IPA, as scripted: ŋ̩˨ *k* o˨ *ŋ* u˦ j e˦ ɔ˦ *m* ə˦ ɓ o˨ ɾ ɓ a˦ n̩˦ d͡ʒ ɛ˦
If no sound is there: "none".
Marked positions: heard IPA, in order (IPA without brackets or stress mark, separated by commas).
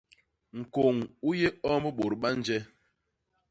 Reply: k, ŋ, m